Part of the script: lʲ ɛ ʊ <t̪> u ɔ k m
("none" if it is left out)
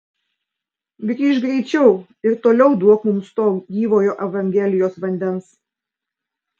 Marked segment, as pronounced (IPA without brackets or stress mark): d̪